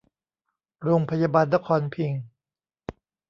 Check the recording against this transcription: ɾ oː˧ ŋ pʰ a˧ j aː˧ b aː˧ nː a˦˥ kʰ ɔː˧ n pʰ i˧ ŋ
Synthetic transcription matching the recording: ɾ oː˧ ŋ pʰ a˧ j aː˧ b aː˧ nː a˦˥ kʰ ɔː˧ n pʰ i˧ ŋ